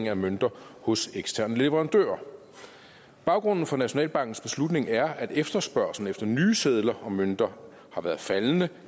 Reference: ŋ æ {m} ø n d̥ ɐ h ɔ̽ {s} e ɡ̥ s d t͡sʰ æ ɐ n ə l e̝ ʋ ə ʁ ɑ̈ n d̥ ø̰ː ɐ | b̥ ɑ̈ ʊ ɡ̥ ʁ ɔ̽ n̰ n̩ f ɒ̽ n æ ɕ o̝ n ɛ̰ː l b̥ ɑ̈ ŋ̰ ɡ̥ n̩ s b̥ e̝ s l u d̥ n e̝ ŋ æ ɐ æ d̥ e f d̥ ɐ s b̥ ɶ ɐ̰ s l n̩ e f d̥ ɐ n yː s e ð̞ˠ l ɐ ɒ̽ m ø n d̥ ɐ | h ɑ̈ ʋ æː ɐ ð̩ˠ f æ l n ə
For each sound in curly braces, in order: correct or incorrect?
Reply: correct, correct

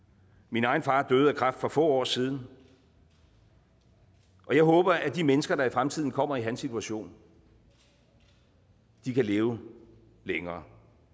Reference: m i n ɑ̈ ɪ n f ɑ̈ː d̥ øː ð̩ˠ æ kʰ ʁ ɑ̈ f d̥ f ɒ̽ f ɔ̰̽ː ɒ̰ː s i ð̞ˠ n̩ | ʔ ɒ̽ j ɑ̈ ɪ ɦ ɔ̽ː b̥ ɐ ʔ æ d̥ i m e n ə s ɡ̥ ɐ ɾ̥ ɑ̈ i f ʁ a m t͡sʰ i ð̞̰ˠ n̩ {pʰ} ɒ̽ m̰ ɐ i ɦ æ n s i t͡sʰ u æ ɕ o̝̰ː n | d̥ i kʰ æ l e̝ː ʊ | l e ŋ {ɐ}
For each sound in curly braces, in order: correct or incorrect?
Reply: incorrect: kʰ, incorrect: ɐː

